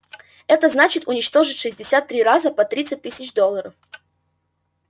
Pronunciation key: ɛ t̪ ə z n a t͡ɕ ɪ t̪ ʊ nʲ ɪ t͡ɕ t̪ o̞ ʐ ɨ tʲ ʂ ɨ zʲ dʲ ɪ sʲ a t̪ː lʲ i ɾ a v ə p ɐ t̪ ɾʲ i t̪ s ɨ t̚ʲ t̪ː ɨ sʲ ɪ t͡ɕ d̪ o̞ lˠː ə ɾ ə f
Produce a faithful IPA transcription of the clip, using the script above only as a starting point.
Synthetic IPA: ɛ t̪ ə z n a t͡ɕ ɪ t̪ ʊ nʲ ɪ t͡ɕ t̪ o̞ ʐ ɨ tʲ ʂ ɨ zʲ dʲ ɪ sʲ a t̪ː ɾʲ i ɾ a z ə p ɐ t̪ ɾʲ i t̪ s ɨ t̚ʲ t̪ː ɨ sʲ ɪ t͡ɕ d̪ o̞ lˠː ə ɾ ə f